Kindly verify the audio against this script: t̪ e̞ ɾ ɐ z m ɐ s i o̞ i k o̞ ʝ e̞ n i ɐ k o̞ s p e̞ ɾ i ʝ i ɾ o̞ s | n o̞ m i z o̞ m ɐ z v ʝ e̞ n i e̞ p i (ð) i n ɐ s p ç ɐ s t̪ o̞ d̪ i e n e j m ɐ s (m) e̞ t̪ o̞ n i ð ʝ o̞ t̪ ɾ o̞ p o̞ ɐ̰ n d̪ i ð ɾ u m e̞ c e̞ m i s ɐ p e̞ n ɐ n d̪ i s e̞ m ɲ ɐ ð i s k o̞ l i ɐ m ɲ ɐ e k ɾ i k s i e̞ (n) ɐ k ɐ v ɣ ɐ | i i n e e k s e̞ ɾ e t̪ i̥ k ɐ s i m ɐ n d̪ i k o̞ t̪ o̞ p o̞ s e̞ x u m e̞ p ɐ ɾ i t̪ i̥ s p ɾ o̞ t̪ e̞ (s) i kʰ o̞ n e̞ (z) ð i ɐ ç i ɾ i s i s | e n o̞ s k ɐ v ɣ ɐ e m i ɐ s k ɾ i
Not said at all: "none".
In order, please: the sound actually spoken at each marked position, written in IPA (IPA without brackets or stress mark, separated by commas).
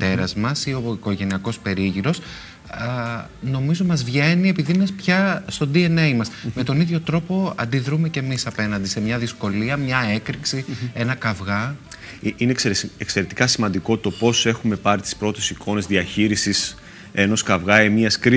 ð, m, n, s, z